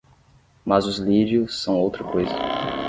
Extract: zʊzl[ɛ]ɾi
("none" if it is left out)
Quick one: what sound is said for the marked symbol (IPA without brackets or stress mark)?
i